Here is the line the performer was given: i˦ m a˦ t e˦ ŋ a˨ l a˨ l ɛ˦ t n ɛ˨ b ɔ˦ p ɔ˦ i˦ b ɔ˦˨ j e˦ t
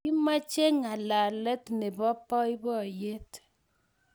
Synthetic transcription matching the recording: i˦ m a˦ t͡ʃ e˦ ŋ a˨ l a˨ l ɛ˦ t n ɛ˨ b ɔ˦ p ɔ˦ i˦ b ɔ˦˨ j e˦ t